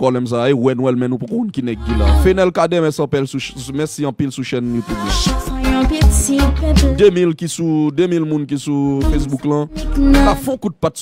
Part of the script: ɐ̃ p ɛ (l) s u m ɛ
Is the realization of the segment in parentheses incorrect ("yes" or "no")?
no